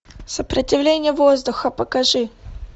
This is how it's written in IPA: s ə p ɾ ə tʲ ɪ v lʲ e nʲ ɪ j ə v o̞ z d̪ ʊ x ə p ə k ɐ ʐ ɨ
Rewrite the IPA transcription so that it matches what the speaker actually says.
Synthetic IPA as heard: s ə p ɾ ə tʲ ɪ v lʲ e nʲ ɪ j ə v o̞ z d̪ ʊ x ə p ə k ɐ ʐ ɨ